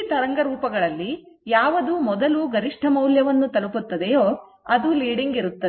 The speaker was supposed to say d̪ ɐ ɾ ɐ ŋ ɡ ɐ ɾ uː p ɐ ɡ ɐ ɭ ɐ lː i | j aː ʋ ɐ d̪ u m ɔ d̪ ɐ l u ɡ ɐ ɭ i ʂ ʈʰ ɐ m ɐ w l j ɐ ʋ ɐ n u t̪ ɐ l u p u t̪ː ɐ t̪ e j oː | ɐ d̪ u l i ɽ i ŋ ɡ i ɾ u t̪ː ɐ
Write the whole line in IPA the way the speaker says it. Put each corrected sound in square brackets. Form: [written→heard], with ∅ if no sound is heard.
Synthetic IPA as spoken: [d̪→t̪] ɐ ɾ ɐ ŋ ɡ ɐ ɾ uː p ɐ ɡ ɐ ɭ ɐ lː i | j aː ʋ ɐ d̪ u m ɔ d̪ ɐ l u ɡ ɐ [ɭ→ɾ] i ʂ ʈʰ ɐ m ɐ w l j ɐ ʋ ɐ [n→nː] u t̪ ɐ l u p u t̪ː ɐ [t̪→d̪] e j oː | ɐ d̪ u l [i→iː] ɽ i ŋ ɡ i ɾ u t̪ː ɐ